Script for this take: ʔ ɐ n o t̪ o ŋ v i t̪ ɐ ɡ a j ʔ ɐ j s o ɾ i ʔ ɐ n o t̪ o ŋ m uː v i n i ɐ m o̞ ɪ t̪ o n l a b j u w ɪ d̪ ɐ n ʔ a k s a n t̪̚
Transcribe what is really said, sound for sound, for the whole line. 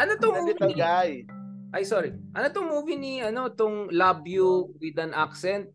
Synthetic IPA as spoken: ʔ ɐ n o t̪ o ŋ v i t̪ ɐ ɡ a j ʔ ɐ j s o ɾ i ʔ ɐ n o t̪ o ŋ m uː v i n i ɐ n o̞ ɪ t̪ o ŋ l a b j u w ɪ d̪ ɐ n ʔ a k s ɛ n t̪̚